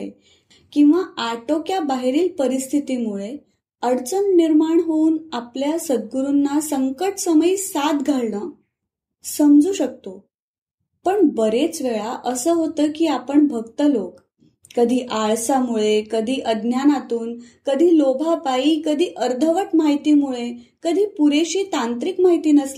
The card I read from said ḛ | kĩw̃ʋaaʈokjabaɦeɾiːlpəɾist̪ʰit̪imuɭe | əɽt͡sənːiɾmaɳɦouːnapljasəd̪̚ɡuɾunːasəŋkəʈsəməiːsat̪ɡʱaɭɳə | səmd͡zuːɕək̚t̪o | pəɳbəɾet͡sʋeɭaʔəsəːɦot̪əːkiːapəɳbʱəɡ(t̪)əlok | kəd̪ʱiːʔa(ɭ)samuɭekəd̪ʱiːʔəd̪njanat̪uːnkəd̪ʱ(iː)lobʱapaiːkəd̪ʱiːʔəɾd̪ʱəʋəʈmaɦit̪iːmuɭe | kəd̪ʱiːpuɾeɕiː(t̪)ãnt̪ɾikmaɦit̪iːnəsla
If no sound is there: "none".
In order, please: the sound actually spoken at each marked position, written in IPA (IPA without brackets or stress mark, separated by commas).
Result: t̪, ɭ, iː, t̪